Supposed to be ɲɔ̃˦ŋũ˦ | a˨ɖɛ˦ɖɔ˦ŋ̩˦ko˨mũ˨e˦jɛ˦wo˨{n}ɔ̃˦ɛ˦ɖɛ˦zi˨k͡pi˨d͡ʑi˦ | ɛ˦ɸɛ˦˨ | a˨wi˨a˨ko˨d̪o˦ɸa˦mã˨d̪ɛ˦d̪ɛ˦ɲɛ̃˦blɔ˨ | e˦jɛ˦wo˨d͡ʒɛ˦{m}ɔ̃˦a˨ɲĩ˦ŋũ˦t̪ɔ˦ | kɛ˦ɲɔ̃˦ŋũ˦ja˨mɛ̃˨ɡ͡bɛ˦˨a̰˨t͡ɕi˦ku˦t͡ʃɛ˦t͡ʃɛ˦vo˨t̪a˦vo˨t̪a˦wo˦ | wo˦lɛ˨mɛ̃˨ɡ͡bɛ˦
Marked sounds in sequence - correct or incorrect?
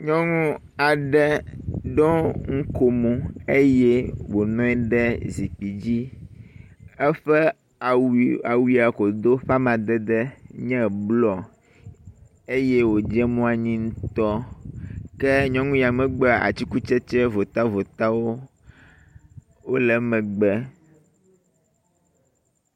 correct, correct

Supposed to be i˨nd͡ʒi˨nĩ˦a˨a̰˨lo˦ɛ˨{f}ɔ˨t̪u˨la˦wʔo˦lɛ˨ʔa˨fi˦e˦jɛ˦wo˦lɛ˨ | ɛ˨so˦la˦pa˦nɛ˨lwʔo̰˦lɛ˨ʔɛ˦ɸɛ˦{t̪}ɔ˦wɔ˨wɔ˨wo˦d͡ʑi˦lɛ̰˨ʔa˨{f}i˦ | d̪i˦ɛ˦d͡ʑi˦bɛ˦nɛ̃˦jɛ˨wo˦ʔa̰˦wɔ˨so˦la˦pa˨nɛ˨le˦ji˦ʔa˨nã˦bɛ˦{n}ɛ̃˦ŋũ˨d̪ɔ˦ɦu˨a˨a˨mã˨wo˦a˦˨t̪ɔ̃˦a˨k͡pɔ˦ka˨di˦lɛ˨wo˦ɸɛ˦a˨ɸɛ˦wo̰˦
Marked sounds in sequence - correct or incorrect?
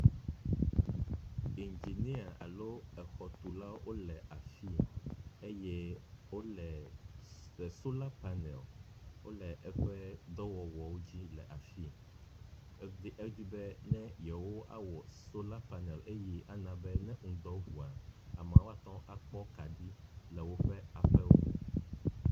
incorrect, incorrect, correct, correct

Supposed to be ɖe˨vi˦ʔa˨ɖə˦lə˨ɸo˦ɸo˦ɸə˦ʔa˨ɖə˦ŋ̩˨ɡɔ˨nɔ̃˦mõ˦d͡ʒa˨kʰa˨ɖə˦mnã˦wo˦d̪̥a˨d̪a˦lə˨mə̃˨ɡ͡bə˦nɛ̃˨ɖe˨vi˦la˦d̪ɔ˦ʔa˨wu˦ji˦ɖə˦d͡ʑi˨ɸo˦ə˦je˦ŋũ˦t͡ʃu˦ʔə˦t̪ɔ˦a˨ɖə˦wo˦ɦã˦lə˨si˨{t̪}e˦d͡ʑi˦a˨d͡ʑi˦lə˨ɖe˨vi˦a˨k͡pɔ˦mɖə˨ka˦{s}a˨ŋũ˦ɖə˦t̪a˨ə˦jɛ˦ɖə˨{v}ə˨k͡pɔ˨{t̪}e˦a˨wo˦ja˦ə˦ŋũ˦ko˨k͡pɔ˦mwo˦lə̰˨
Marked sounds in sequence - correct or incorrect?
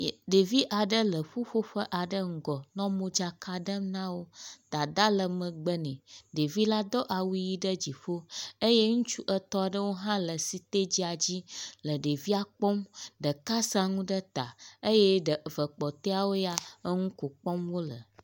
correct, correct, correct, correct

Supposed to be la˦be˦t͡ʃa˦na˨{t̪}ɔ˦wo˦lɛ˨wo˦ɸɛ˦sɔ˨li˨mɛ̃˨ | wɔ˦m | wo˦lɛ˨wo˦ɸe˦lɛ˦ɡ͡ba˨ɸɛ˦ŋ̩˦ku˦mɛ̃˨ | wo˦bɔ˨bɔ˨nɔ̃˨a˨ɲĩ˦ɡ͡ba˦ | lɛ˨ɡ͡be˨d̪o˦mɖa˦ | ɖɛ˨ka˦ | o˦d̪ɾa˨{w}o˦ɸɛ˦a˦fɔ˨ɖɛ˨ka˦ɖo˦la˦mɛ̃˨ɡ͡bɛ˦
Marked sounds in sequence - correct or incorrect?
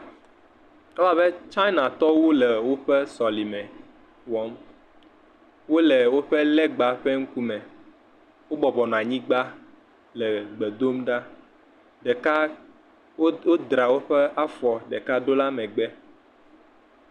correct, correct

